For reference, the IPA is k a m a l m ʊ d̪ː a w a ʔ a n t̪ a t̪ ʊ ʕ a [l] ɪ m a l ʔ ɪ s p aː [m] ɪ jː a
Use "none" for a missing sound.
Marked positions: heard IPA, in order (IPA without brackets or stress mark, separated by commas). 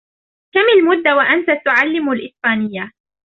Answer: lː, n